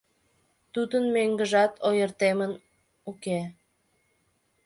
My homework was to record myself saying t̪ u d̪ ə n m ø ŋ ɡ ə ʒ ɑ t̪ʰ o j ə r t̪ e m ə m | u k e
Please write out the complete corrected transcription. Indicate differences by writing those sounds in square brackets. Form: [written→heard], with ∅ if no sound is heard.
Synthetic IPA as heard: t̪ u d̪ ə n m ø ŋ ɡ ə ʒ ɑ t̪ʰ o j ə r t̪ e m ə [m→n] | u k e